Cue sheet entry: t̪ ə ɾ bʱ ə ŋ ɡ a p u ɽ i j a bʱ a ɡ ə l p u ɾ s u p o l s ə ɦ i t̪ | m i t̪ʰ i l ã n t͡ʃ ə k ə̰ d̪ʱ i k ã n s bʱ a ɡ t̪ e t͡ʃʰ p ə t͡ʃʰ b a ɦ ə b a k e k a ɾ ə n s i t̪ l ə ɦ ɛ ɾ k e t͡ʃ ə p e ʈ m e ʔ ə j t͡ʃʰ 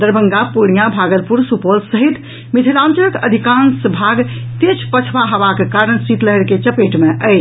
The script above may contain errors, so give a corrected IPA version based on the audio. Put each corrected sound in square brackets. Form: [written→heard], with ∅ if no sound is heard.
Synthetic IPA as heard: [t̪→d̪] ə ɾ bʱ ə ŋ ɡ a p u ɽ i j a bʱ a ɡ ə l p u ɾ s u p o l s ə ɦ i t̪ | m i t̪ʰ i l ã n t͡ʃ ə k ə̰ d̪ʱ i k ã n s bʱ a ɡ t̪ e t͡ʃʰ p ə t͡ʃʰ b a ɦ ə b a k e k a ɾ ə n s i t̪ l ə ɦ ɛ ɾ k e t͡ʃ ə p e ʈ m e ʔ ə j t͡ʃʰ